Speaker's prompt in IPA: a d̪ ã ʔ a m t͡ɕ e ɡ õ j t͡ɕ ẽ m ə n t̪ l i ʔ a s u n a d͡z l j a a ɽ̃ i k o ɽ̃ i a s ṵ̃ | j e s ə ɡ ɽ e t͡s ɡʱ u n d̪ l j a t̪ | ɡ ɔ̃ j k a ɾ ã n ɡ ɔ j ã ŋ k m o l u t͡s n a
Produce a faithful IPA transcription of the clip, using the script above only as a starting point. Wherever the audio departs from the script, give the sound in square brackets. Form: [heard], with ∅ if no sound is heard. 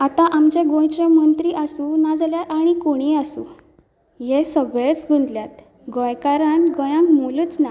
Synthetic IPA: a [t̪] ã ʔ a m t͡ɕ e ɡ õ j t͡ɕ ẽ m ə n t̪ [ɾ] i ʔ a s u n a d͡z l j a a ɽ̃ i k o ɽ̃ i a s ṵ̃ | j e s ə ɡ [ɭ] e t͡s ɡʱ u n d̪ l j a t̪ | ɡ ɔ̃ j k a ɾ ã n ɡ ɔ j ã ŋ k m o l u t͡s n a